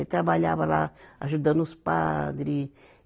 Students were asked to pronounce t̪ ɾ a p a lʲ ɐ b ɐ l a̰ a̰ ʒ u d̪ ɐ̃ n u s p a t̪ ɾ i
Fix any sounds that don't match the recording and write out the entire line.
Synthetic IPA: t̪ ɾ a b a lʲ a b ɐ l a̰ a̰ ʒ u d̪ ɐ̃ n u s p a d̪ ɾ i